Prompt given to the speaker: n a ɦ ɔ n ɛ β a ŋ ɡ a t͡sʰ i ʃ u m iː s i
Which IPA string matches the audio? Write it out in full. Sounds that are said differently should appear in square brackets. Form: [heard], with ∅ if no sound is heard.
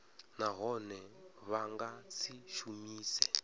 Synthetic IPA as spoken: n a ɦ ɔ n ɛ β a ŋ ɡ a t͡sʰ i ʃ u m iː s [ɛ]